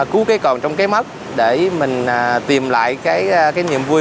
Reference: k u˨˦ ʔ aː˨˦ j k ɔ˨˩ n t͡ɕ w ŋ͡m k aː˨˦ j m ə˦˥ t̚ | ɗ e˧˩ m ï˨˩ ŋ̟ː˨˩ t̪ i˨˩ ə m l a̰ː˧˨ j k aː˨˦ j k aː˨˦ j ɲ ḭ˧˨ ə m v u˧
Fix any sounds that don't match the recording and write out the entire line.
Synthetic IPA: k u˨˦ k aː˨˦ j k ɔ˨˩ n t͡ɕ w ŋ͡m k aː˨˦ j m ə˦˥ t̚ | ɗ e˧˩ m ï˨˩ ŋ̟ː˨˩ t̪ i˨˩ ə m l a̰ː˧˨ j k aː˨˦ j k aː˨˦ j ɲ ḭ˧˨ ə m v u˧